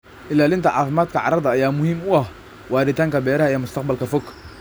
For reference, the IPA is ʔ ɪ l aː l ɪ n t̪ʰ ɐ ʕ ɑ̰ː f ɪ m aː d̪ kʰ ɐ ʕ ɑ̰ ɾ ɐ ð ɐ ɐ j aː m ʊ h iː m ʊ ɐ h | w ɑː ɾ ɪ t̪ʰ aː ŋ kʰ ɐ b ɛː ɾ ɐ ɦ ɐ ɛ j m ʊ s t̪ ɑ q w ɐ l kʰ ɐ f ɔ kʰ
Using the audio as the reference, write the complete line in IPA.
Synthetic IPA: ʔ ɪ l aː l ɪ n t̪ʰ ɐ ʕ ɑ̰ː f ɪ m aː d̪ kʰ ɐ ʕ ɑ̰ ɾ ɐ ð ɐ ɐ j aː m ʊ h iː m ʊ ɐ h | w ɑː ɾ ɪ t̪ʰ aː ŋ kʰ ɐ b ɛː ɾ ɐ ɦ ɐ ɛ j m ʊ s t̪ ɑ q b ɐ l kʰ ɐ f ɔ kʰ